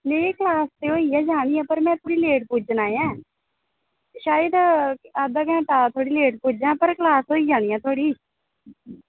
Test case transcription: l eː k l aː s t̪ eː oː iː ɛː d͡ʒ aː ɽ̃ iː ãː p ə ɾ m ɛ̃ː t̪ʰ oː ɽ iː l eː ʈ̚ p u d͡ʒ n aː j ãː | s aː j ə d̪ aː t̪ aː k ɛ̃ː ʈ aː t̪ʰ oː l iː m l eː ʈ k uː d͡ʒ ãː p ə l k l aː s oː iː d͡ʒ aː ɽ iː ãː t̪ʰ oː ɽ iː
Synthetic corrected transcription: l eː k l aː s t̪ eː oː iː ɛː d͡ʒ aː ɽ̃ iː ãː p ə ɾ m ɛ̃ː t̪ʰ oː ɽ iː l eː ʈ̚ p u d͡ʒ n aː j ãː | ʃ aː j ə d̪ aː d̪ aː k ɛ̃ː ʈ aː t̪ʰ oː ɽ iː l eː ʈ p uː d͡ʒ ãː p ə ɾ k l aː s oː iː d͡ʒ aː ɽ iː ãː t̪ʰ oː ɽ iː